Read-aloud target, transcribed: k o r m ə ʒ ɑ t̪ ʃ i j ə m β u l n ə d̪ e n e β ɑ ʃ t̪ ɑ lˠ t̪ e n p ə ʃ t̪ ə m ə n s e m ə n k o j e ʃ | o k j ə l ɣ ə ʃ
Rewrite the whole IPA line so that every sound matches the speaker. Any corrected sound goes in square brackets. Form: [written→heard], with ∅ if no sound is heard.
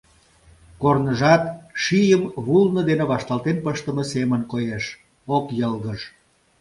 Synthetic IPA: k o r [m→n] ə ʒ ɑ t̪ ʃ i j ə m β u l n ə d̪ e n e β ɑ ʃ t̪ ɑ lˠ t̪ e n p ə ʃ t̪ ə m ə [n→∅] s e m ə n k o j e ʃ | o k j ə l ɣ ə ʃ